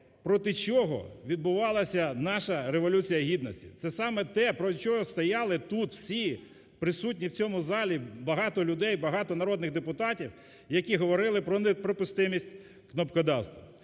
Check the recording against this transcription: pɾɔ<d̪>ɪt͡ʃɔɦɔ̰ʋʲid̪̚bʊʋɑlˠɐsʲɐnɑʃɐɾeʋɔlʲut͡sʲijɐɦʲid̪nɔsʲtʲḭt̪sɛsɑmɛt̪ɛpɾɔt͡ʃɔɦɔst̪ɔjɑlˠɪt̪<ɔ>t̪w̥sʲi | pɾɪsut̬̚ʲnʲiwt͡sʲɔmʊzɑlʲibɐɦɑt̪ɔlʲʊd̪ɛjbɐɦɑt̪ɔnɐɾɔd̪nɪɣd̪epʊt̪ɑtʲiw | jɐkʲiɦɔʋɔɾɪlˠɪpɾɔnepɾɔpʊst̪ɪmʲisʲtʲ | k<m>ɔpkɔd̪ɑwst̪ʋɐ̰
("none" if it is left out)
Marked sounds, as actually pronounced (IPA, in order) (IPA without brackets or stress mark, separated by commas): t̪, u, n